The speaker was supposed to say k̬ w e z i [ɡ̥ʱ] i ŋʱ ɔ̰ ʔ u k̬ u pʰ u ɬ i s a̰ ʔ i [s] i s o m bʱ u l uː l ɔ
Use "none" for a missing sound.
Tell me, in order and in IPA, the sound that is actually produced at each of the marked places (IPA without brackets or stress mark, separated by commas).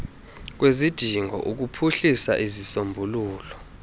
d̥ʱ, z